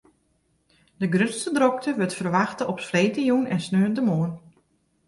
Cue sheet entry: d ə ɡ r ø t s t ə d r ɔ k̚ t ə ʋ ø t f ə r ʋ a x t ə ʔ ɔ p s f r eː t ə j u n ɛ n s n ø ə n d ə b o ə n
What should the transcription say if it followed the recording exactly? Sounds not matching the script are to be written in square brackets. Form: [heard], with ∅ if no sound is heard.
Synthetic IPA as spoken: d ə ɡ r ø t s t ə d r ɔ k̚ t ə ʋ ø t f ə r ʋ a x t ə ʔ ɔ p s f r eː t ə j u n ɛ n s n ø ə n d ə [m] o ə n